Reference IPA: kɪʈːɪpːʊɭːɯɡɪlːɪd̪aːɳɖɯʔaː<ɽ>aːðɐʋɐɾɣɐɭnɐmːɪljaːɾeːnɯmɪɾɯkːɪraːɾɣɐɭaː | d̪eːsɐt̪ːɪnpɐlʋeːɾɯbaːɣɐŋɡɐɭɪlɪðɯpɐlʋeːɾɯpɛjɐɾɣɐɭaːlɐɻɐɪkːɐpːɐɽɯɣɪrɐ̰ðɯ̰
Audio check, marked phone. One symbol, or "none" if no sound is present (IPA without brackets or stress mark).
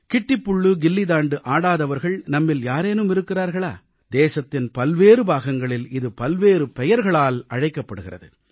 ɽ